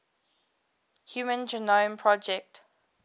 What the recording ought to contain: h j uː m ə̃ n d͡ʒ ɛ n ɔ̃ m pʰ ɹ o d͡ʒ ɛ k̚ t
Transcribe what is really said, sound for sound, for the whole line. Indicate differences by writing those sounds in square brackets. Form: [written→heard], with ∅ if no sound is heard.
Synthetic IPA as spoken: h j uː m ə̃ n d͡ʒ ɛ n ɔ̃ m pʰ ɹ [o→ɔ] d͡ʒ ɛ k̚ t